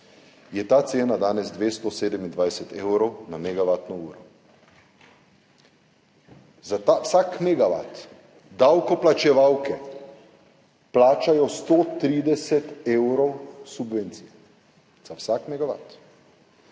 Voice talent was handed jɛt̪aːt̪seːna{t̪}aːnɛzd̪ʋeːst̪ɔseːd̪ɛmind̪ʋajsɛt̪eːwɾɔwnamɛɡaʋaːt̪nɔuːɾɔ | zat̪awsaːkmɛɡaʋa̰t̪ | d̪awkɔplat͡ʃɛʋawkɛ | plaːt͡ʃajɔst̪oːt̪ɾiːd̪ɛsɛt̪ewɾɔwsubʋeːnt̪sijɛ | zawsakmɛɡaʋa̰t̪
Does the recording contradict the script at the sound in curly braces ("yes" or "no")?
yes